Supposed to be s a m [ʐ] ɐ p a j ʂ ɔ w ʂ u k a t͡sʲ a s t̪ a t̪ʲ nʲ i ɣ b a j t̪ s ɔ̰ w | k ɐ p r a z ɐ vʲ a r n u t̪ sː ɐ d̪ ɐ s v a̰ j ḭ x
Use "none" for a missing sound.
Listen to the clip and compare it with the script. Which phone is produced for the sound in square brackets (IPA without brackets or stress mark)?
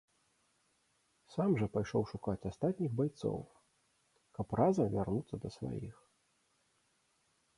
ʐ